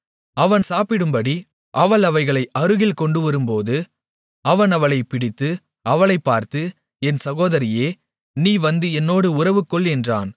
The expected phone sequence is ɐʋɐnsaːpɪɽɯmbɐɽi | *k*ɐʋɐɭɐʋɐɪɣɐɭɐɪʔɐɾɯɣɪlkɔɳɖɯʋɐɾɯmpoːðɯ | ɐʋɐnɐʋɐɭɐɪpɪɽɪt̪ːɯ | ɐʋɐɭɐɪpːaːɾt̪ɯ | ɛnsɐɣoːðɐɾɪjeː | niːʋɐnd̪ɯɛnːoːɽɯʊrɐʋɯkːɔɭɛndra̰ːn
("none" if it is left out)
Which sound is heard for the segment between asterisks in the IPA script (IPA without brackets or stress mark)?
ʔ